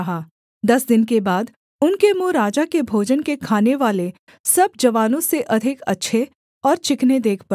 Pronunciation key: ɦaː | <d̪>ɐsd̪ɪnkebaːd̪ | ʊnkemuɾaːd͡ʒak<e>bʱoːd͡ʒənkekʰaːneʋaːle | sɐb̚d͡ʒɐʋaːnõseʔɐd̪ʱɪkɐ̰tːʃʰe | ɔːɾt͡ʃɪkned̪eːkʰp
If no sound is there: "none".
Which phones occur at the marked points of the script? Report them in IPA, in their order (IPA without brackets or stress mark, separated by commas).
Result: d̪, e